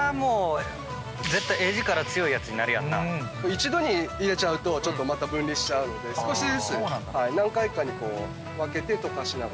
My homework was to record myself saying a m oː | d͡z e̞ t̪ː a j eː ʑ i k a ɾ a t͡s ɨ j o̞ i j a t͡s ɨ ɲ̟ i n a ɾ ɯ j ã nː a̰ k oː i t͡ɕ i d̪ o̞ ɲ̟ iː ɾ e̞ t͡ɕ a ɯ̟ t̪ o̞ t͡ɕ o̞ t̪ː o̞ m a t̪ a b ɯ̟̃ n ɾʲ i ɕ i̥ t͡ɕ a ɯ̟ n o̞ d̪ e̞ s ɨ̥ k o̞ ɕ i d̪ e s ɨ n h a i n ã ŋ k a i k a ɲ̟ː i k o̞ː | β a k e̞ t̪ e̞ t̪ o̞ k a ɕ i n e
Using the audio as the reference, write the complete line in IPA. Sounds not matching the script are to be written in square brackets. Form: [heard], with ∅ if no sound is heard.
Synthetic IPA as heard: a m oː | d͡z e̞ t̪ː a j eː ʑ i k a ɾ a t͡s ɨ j o̞ i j a t͡s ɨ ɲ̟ i n a ɾ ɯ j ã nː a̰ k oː i t͡ɕ i d̪ o̞ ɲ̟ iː ɾ e̞ t͡ɕ a ɯ̟ t̪ o̞ t͡ɕ o̞ t̪ː o̞ m a t̪ a b ɯ̟̃ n ɾʲ i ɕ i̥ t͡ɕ a ɯ̟ n o̞ d̪ e̞ s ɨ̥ k o̞ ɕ i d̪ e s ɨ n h a i n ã ŋ k a i k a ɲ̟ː i k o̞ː | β a k e̞ t̪ e̞ t̪ o̞ k a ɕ i n [a]